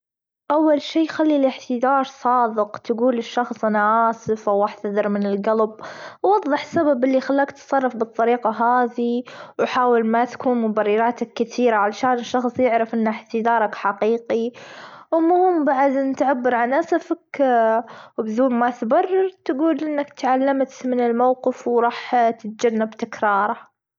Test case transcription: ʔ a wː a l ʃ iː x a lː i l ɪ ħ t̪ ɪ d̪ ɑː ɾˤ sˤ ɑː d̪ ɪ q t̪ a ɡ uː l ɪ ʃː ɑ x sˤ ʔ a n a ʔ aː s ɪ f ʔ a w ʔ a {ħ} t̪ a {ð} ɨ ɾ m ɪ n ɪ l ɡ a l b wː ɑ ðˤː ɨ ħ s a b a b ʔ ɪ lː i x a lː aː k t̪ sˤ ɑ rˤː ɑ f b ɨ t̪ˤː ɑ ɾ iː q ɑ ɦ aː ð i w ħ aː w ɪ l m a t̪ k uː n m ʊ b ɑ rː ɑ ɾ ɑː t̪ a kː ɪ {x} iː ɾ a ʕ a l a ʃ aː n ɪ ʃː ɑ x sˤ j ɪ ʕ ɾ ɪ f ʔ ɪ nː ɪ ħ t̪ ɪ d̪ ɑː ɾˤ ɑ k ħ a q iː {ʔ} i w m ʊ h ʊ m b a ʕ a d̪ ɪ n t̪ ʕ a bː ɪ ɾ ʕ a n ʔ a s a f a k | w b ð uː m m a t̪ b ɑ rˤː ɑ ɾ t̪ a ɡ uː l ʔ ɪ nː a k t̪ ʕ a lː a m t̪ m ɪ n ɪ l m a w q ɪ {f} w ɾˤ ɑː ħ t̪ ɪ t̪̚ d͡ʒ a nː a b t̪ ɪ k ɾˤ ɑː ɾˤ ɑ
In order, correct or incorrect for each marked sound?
correct, correct, incorrect: θ, incorrect: q, correct

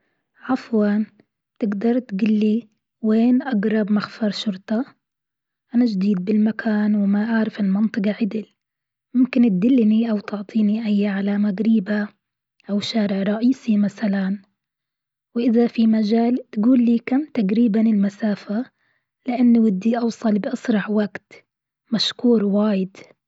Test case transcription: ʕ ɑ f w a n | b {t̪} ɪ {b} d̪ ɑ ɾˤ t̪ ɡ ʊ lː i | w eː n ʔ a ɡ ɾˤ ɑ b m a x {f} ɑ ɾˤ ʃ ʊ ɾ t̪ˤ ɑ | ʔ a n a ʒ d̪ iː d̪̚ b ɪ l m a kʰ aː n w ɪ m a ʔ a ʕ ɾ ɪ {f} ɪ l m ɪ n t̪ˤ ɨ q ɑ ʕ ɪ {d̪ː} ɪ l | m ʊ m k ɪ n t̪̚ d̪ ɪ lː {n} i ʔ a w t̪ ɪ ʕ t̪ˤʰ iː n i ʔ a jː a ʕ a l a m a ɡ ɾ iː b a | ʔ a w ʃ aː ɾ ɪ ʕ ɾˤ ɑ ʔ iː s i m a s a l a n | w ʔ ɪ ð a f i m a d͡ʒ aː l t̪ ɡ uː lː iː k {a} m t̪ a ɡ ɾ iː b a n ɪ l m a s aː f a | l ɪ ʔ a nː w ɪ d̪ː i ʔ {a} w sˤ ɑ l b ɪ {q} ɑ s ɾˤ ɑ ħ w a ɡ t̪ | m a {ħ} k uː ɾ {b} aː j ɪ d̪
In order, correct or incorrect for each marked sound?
correct, incorrect: ɡ, correct, correct, incorrect: d̪, correct, correct, incorrect: ɑ, incorrect: ʔ, incorrect: ʃ, incorrect: w

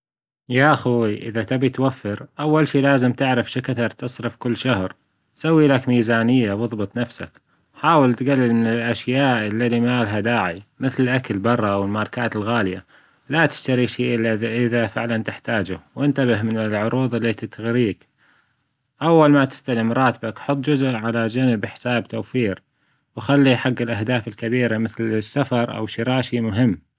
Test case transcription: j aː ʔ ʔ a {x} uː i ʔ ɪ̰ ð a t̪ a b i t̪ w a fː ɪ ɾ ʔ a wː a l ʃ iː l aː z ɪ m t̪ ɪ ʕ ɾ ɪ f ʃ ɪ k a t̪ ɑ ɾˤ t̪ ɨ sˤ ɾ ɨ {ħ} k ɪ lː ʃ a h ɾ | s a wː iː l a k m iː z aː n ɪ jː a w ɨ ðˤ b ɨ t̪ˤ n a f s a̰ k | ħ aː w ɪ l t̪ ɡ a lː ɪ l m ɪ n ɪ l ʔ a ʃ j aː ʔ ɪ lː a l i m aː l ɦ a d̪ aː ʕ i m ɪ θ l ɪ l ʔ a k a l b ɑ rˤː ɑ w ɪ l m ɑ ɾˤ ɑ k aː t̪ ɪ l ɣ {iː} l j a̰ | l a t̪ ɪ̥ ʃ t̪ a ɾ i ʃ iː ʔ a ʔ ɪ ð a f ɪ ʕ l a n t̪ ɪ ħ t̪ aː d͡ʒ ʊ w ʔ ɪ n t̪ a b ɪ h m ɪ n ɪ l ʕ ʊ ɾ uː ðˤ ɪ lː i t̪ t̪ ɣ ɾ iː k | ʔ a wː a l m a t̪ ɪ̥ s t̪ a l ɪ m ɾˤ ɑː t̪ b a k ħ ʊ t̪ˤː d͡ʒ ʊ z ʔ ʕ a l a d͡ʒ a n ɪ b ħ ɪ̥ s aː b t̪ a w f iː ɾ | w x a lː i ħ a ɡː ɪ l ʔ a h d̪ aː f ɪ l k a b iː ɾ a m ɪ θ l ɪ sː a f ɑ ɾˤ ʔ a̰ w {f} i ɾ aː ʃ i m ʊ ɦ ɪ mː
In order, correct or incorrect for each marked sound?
correct, incorrect: f, incorrect: aː, incorrect: ʃ

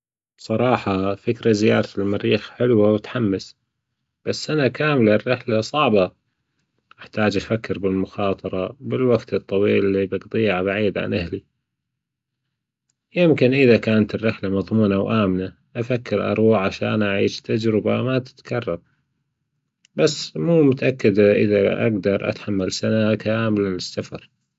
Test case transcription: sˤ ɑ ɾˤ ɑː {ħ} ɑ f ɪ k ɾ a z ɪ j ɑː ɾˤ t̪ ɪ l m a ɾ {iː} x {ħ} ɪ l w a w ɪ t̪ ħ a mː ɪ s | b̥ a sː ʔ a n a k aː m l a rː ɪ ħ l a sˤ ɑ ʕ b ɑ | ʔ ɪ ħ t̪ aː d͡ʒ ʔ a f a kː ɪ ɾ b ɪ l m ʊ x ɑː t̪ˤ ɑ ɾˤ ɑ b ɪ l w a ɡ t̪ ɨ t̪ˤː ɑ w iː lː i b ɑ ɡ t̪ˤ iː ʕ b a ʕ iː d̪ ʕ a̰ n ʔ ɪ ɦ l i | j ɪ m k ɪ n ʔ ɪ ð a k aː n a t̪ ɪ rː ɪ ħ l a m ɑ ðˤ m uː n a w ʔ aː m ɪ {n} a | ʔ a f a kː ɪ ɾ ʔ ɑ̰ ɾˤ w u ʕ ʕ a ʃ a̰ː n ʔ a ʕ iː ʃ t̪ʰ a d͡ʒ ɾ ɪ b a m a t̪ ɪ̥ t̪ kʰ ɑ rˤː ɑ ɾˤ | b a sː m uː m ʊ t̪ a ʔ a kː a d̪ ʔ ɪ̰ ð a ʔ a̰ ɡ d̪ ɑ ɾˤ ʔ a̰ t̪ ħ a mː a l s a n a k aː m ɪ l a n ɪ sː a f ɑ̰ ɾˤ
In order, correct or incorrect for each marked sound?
correct, correct, correct, correct

